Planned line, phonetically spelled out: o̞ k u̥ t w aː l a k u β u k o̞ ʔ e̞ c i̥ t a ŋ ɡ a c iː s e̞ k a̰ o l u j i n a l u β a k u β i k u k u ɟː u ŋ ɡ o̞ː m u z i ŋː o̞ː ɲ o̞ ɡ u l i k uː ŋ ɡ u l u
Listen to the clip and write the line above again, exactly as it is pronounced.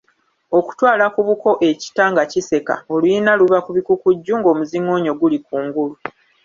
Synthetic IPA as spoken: o̞ k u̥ t w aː l a k u β u k o̞ ʔ e̞ c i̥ t a ŋ ɡ a c i s e̞ k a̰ o l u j i n a l u β a k u β i k u k u ɟː u ŋ ɡ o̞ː m u z i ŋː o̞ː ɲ o̞ ɡ u l i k uː ŋ ɡ u l u